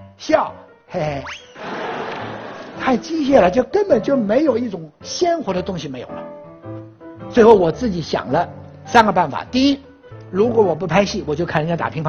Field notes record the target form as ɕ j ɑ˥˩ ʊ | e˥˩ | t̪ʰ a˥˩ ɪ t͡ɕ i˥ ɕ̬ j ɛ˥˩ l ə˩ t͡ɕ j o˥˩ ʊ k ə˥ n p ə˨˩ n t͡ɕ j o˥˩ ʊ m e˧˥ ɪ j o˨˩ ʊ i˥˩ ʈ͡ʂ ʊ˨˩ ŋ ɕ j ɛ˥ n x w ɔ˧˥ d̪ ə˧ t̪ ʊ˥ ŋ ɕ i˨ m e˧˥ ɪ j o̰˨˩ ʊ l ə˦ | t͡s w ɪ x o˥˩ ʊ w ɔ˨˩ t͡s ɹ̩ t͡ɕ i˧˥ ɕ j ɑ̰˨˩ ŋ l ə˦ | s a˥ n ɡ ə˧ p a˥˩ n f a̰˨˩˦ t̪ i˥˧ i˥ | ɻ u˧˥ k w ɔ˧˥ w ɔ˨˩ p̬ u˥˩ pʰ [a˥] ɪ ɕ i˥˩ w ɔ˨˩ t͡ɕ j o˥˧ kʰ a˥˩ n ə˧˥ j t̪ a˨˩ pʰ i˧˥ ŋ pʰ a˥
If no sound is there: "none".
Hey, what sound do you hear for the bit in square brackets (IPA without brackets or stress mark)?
a˥